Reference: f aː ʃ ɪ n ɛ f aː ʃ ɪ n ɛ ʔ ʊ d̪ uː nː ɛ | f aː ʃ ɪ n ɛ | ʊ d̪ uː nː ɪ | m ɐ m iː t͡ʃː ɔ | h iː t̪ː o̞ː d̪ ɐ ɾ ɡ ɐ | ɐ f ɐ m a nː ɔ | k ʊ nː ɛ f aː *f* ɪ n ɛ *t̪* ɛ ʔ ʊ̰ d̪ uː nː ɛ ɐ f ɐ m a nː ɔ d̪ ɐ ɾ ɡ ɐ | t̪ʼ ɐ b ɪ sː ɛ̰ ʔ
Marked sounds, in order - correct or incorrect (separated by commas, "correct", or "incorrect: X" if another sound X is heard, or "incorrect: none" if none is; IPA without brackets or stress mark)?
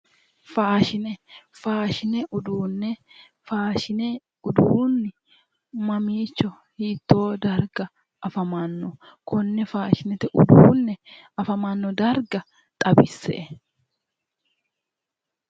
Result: incorrect: ʃ, correct